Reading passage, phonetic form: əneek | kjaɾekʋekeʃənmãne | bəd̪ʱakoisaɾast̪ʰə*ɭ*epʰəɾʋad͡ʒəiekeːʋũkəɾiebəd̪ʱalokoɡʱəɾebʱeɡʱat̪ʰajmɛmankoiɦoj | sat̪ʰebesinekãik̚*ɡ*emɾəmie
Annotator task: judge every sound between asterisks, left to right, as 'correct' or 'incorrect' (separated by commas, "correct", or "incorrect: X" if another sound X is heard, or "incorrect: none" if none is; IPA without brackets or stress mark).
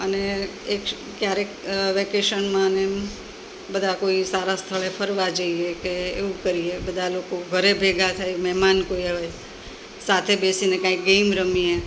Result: correct, correct